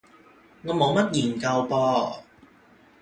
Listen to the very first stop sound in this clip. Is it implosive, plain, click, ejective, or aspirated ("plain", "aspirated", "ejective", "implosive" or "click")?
plain